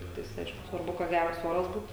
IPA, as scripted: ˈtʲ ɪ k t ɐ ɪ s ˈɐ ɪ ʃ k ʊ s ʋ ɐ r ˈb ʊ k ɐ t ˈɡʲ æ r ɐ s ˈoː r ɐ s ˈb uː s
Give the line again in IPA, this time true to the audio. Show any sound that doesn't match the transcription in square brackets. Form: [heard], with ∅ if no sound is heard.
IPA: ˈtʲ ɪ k t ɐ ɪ s ˈɐ ɪ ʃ k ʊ s ʋ ɐ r ˈb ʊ k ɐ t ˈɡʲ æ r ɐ s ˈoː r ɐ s ˈb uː [t]